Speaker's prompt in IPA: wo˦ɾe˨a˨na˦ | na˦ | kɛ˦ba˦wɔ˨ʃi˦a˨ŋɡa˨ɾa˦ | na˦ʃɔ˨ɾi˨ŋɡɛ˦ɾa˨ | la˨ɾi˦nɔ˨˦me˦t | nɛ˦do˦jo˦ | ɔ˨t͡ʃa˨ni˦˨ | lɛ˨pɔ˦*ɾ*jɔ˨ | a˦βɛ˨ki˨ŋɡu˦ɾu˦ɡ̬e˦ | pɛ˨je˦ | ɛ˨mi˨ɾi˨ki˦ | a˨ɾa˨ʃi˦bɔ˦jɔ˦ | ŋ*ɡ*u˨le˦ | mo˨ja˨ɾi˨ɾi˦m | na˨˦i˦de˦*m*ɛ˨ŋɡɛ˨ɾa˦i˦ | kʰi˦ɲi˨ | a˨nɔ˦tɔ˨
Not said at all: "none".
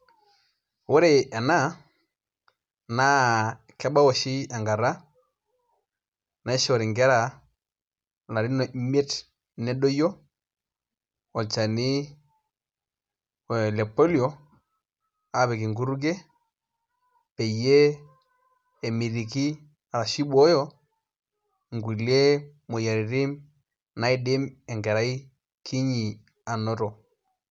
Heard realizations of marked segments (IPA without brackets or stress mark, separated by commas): l, ɡ, m